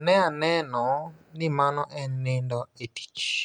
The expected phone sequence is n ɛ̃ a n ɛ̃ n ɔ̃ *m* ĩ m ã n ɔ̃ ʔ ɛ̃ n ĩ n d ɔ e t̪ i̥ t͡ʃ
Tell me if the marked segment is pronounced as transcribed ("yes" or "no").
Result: no